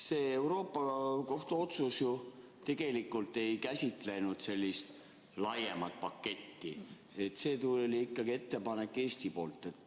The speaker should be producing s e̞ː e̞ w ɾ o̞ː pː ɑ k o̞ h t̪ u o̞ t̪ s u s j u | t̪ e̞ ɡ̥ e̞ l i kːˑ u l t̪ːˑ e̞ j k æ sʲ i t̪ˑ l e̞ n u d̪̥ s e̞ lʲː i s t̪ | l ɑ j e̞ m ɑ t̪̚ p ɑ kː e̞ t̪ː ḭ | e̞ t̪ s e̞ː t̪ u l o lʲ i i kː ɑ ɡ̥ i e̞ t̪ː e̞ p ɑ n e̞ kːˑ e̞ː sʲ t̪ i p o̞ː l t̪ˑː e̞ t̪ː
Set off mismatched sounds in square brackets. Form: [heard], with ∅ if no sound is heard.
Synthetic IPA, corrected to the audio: s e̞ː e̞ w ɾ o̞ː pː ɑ k o̞ h t̪ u o̞ t̪ s u s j u | t̪ e̞ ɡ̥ e̞ l i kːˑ u l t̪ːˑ e̞ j k æ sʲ i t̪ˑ l e̞ n u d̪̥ s e̞ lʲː i s t̪ | l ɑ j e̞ m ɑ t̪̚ p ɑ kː e̞ t̪ː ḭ | e̞ t̪ s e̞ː t̪ u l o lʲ i i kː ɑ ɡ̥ i e̞ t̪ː e̞ p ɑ n e̞ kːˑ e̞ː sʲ t̪ i p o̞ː l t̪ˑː e̞ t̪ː